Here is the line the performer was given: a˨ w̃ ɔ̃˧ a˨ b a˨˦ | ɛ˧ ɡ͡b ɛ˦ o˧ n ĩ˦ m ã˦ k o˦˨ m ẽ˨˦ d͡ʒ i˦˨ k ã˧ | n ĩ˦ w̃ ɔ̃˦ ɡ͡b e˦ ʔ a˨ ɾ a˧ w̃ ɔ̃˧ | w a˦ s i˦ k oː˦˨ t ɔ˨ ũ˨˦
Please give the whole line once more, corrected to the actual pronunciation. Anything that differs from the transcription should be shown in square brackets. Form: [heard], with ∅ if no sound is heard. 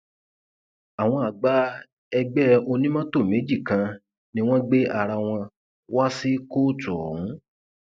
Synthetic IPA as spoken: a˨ w̃ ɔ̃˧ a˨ [ɡ͡b] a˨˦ | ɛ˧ ɡ͡b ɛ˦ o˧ n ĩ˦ m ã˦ [t] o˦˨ m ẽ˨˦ d͡ʒ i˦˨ k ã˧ | n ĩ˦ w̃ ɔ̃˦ ɡ͡b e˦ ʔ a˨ ɾ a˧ w̃ ɔ̃˧ | w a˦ s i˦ k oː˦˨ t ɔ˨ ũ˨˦

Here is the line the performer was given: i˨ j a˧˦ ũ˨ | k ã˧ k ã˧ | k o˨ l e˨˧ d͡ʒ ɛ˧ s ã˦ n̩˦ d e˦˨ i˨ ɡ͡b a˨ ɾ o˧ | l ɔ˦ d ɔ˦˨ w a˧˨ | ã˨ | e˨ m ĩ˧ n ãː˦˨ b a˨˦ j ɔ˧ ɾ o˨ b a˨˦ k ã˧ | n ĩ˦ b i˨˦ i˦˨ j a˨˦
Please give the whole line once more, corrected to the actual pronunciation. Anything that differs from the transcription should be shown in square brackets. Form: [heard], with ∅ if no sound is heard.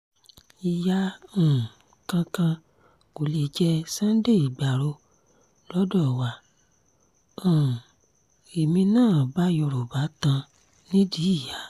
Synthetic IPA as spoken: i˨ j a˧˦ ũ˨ | k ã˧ k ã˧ | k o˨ l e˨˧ d͡ʒ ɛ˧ s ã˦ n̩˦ d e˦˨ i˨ ɡ͡b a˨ ɾ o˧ | l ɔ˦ d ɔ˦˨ w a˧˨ | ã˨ | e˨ m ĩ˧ n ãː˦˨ b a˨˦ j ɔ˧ ɾ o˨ b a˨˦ [t] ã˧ | n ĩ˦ [d] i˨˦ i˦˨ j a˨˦

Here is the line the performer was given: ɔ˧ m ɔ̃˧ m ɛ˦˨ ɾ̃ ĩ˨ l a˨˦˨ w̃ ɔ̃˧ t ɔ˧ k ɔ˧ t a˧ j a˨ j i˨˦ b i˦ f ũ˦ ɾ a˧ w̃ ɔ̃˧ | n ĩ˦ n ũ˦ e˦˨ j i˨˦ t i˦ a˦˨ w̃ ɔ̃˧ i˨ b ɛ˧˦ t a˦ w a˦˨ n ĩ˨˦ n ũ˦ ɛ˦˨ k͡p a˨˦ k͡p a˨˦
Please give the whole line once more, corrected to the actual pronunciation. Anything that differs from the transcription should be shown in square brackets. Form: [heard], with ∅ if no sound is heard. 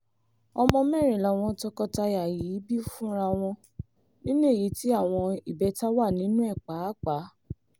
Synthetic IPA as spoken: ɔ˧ m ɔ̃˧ m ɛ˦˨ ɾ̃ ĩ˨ l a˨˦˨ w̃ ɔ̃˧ t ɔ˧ k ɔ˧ t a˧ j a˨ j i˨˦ b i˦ f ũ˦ ɾ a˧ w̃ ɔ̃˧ | n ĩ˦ n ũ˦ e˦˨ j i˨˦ t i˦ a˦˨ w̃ ɔ̃˧ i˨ b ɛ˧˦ t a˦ w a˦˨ n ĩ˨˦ n ũ˦ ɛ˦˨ k͡p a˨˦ k͡p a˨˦

